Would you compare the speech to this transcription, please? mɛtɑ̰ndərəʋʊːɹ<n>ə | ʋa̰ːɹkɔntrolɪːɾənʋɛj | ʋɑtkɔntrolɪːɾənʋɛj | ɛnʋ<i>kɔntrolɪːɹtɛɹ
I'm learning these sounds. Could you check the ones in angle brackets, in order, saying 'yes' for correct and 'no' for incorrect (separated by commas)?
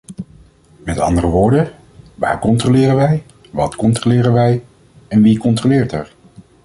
no, yes